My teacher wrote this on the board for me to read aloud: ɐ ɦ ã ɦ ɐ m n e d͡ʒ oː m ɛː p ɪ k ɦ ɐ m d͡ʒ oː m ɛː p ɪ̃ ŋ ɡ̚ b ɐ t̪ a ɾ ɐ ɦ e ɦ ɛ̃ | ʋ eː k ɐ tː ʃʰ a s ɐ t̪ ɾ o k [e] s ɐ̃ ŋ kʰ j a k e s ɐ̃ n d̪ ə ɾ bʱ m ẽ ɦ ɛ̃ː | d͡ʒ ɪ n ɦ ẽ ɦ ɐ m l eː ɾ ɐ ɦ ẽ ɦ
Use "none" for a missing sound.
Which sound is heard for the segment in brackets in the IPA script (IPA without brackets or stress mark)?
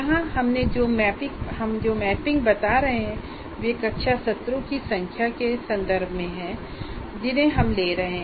i